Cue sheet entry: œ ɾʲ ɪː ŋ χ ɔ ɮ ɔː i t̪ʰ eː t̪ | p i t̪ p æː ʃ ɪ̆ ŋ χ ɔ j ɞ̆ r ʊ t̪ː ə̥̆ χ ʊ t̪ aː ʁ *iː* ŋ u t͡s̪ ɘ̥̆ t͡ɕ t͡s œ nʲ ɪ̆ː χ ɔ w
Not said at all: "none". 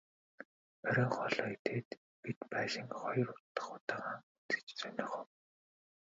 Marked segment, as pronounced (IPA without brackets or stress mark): aː